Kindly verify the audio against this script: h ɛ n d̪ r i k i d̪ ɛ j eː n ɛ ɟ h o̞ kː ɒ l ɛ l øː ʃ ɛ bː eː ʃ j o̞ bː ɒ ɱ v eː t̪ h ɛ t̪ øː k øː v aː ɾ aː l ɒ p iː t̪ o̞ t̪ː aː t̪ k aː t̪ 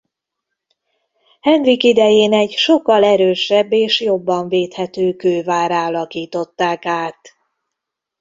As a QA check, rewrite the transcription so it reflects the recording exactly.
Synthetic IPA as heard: h ɛ n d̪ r i k i d̪ ɛ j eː n ɛ ɟ ʃ o̞ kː ɒ l ɛ ɾ øː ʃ ɛ bː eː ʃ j o̞ bː ɒ ɱ v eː t̪ h ɛ t̪ øː k øː v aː ɾ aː l ɒ k iː t̪ o̞ t̪ː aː k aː t̪